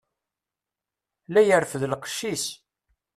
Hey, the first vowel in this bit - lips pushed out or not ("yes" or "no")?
no